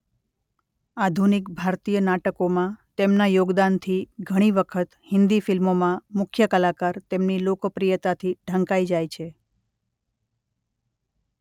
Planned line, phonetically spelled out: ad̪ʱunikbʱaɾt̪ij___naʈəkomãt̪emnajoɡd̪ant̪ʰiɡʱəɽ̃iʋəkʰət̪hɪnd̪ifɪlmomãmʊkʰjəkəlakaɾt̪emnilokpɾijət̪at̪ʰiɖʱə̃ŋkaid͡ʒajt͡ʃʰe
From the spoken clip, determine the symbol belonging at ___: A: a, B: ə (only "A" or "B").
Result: B